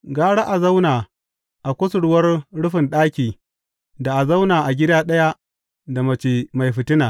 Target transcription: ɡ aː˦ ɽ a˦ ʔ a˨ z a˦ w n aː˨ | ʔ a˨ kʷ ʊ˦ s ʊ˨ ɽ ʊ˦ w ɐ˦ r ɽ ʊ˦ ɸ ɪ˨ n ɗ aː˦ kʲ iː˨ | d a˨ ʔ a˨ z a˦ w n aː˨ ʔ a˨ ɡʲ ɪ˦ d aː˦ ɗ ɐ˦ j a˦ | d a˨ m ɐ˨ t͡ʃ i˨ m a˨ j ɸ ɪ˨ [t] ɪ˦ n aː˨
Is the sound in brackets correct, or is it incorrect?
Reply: correct